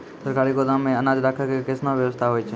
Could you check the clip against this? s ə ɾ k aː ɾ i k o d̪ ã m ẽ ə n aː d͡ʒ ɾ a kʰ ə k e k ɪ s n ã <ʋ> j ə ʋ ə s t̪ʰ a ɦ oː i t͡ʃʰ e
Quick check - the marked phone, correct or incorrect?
correct